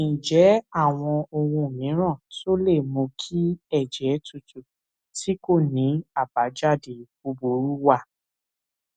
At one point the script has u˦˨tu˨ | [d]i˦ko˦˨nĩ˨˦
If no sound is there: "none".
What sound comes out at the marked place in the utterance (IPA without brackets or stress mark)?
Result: t